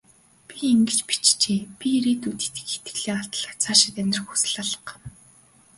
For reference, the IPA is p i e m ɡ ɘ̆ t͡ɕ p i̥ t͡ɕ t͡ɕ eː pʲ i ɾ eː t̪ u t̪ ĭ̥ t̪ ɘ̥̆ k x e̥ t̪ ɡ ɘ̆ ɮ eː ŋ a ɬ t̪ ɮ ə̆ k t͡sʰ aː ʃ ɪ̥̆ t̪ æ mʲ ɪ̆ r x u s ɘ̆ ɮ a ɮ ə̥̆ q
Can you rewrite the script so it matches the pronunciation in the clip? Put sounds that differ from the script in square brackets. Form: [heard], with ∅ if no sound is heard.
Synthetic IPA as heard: p i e [ŋ] ɡ ɘ̆ t͡ɕ p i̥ t͡ɕ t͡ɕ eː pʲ i ɾ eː t̪ u t̪ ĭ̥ t̪ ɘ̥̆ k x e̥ t̪ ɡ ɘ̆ ɮ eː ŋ a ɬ t̪ ɮ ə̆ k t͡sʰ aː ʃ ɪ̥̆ t̪ æ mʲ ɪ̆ r x u s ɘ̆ ɮ a ɮ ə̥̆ q